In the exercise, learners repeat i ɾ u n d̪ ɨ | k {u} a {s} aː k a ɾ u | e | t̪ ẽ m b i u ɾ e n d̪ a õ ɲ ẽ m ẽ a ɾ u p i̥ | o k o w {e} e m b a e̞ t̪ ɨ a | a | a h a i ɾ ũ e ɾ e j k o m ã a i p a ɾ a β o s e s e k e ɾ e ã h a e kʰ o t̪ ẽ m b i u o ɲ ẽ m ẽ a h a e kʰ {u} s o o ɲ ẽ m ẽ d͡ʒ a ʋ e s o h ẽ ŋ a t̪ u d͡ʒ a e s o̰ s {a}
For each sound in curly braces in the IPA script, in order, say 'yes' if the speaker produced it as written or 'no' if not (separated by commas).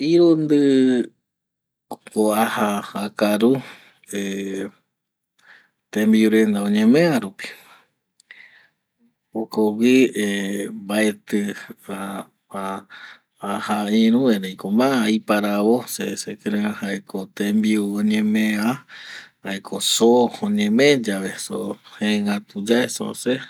no, no, no, no, no